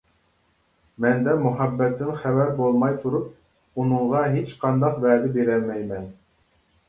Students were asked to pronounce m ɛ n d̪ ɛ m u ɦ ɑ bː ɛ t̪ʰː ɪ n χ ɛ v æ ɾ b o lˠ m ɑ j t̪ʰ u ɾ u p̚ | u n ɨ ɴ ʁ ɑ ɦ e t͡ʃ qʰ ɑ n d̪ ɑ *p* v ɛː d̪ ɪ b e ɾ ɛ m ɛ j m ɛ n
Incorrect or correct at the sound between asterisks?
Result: incorrect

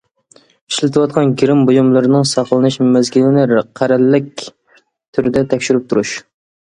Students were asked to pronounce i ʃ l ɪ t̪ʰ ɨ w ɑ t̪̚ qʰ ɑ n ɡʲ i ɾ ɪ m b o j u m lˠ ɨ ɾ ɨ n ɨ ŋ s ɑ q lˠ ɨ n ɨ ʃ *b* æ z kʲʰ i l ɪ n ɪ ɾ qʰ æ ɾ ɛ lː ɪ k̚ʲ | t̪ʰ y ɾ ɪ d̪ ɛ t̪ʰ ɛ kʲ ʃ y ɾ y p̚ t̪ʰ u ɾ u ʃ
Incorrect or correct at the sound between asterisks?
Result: incorrect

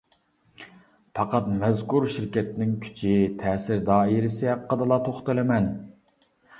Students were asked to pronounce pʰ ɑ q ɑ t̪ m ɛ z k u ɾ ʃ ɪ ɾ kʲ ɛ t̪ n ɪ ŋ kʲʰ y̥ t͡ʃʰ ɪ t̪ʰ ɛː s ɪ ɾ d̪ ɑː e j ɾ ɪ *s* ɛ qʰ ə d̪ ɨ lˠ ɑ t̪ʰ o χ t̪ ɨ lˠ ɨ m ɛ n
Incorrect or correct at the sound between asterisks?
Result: correct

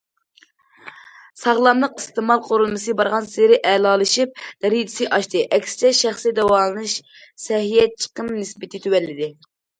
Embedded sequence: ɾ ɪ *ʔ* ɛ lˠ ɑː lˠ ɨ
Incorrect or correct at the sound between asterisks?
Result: correct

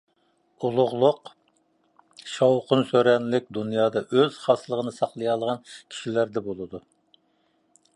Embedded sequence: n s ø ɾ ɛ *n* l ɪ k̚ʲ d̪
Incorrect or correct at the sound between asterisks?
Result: correct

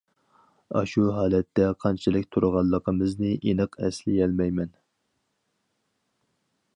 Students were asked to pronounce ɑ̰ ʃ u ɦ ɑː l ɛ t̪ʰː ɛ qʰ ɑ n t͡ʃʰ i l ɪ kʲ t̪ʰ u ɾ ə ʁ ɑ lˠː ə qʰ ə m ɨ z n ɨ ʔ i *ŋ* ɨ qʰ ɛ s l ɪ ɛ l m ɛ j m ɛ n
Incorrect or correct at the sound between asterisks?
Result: incorrect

